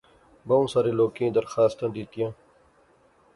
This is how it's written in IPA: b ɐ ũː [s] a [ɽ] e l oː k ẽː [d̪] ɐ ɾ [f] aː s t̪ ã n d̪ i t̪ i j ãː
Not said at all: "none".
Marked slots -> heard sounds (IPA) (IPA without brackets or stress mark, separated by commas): s, ɾ, d̪, x